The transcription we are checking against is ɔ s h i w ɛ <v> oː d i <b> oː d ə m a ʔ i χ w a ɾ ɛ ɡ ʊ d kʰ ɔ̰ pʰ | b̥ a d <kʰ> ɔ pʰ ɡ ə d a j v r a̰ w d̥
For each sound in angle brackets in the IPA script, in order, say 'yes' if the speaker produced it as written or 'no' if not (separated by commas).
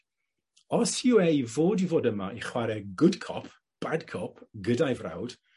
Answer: yes, no, yes